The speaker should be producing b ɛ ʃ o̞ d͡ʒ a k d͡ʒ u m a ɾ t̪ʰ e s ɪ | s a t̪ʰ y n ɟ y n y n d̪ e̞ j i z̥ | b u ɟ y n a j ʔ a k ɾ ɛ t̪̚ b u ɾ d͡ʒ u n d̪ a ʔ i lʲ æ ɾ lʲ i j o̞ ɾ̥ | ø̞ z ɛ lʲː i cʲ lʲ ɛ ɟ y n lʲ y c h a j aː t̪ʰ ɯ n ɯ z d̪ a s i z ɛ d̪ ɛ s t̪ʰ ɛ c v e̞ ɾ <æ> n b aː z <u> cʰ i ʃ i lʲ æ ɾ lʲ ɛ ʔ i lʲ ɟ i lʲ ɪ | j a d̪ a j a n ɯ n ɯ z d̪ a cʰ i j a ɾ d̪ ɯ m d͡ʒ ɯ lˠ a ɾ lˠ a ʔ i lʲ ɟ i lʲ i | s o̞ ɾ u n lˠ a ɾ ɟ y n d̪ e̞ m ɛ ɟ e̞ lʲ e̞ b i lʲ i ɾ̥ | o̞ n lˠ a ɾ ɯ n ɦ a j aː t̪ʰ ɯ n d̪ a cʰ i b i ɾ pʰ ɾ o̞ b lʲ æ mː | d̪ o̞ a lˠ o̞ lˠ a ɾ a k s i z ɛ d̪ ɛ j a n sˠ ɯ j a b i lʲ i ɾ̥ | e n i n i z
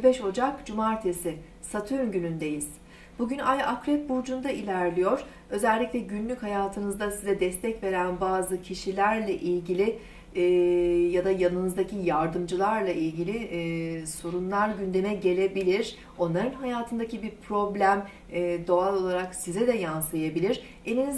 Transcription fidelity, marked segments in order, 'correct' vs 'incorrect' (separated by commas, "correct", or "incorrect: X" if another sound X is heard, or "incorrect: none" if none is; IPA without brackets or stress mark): correct, incorrect: ɯ